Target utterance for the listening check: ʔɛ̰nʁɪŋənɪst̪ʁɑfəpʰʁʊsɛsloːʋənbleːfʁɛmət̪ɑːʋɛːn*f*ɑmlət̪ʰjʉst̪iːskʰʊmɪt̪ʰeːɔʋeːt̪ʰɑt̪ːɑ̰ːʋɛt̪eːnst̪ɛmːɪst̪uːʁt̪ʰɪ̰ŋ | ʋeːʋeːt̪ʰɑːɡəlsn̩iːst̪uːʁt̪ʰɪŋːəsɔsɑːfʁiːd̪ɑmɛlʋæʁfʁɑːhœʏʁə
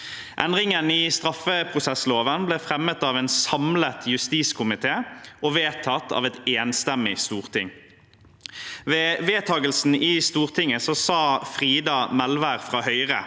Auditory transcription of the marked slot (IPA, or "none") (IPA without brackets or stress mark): s